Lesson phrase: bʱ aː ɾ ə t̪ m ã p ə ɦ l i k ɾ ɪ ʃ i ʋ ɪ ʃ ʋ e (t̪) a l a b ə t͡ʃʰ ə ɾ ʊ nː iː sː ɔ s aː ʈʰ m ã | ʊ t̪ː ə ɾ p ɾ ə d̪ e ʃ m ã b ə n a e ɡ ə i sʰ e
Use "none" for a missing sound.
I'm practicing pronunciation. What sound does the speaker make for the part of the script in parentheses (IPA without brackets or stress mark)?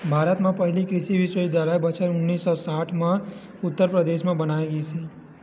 d̪